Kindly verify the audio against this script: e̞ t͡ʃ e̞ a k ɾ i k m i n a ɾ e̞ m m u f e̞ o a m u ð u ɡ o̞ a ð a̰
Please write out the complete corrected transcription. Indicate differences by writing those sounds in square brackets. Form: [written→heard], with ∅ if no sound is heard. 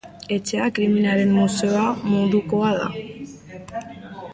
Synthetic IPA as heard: e̞ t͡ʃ e̞ a k ɾ i [k→∅] m i n a ɾ e̞ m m u [f→s] e̞ o a m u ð u [ɡ→k] o̞ a ð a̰